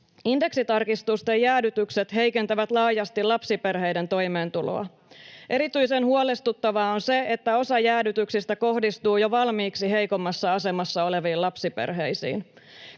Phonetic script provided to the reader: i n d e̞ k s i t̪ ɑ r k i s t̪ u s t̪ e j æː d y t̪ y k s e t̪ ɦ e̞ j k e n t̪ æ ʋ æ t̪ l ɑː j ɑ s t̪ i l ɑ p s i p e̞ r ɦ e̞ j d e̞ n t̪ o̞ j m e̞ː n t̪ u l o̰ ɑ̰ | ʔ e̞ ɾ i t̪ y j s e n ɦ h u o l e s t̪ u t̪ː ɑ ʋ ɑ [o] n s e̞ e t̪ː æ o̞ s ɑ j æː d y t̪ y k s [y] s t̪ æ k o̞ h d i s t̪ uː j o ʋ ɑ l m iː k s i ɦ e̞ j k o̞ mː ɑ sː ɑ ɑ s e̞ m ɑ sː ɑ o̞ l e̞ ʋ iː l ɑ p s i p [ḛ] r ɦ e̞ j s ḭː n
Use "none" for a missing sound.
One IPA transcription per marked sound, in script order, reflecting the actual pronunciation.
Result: o, i, ḛ

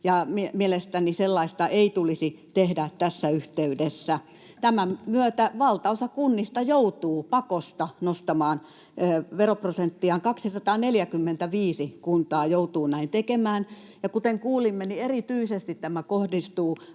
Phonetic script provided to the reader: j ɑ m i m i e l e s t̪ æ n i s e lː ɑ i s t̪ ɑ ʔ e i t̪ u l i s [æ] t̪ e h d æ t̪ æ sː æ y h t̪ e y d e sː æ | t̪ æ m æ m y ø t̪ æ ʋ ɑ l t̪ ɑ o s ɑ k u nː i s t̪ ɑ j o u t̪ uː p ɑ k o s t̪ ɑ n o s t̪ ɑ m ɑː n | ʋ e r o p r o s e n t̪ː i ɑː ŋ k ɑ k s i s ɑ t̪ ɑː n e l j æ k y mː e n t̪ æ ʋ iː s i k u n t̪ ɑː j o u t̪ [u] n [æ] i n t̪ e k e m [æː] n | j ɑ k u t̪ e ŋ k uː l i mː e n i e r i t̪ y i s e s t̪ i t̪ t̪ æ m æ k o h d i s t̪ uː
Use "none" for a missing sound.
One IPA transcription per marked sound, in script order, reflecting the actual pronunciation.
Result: i, uː, æ, æː

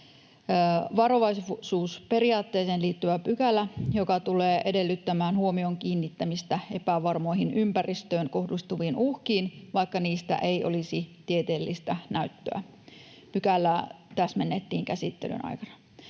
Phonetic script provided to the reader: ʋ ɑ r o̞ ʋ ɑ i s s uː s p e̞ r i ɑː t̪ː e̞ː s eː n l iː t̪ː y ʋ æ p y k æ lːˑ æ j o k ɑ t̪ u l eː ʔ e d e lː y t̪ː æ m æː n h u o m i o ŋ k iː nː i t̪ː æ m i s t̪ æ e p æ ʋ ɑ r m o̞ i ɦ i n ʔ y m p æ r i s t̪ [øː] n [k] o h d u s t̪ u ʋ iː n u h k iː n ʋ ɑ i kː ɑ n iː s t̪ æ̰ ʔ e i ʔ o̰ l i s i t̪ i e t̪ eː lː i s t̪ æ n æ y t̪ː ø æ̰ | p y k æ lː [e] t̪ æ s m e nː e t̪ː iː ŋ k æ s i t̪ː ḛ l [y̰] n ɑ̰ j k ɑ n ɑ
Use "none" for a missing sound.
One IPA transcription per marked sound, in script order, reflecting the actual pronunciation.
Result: øː, k, æ, y̰

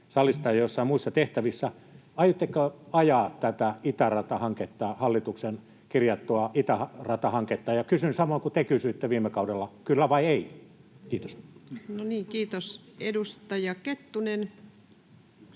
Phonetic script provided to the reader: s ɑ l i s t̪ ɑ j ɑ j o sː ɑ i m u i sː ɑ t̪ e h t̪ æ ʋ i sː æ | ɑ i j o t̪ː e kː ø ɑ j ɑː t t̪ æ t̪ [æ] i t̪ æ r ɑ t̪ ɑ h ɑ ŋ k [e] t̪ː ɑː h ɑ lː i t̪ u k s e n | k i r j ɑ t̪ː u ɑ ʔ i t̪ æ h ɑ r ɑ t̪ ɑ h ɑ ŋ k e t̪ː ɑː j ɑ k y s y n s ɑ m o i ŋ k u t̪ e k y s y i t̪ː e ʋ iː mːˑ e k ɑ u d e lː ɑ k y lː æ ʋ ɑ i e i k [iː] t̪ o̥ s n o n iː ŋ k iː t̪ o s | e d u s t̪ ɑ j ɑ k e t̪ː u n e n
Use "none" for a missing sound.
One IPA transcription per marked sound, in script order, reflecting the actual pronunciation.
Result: æ, e, iː

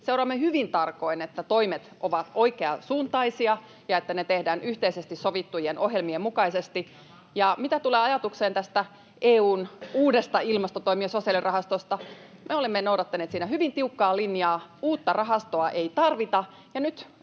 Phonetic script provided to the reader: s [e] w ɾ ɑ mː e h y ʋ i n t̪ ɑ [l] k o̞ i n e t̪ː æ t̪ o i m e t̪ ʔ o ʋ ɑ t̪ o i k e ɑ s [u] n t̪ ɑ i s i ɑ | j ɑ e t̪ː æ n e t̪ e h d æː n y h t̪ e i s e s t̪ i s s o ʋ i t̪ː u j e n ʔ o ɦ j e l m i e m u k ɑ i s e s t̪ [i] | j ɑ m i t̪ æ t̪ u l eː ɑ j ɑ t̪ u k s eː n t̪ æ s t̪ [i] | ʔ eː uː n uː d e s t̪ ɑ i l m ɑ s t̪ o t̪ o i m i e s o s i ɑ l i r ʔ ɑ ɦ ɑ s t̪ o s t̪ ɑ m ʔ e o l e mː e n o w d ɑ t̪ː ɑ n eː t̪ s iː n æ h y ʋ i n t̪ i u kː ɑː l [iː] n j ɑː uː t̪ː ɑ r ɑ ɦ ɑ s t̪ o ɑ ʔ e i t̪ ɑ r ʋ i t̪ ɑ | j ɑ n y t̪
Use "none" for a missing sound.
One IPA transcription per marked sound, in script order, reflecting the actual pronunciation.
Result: e, r, uː, i, æ, i

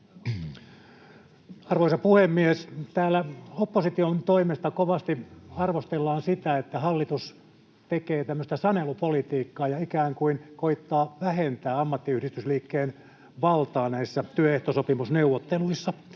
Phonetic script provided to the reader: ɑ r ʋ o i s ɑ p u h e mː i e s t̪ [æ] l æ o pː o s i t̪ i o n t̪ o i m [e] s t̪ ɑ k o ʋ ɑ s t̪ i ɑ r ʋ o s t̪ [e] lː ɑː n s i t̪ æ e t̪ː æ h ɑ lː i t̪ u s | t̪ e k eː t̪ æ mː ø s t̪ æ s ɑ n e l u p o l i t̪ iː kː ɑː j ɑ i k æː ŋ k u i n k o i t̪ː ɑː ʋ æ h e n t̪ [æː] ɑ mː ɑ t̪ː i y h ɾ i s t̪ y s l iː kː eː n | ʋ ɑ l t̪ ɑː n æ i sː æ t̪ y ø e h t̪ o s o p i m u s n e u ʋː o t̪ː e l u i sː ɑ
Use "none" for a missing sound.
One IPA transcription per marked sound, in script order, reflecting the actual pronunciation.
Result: æː, e, e, æː

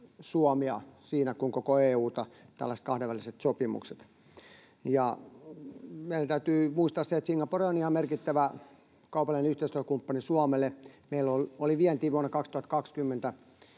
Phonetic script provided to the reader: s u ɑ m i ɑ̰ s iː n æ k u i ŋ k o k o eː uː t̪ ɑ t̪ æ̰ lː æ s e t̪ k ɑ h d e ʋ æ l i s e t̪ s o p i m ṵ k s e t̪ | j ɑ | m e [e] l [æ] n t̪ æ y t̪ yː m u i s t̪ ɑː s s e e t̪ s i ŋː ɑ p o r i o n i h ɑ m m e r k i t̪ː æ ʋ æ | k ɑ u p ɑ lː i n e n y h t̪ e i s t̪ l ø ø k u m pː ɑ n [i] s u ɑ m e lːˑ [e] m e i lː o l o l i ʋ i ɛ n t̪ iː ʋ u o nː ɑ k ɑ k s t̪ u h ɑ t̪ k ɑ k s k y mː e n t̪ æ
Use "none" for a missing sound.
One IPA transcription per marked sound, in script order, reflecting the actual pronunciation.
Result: i, æ, i, e

